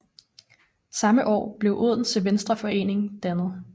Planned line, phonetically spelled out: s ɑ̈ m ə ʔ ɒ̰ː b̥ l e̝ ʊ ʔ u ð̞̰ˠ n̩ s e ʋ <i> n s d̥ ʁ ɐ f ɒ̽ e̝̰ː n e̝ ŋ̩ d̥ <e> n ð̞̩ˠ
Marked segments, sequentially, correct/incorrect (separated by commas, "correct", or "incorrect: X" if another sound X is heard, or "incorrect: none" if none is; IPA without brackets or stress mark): incorrect: e, incorrect: æ